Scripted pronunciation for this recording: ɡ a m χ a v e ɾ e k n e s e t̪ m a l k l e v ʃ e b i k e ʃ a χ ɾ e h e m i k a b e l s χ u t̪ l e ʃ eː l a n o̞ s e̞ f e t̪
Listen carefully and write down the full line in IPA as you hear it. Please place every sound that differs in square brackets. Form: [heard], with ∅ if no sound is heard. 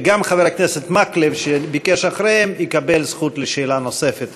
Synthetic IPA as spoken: ɡ a m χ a v e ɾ [a] k n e s e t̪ m a [∅] k l e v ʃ e b i k e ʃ a χ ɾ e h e m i k a b e l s χ u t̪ l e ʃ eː l a n o̞ s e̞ f e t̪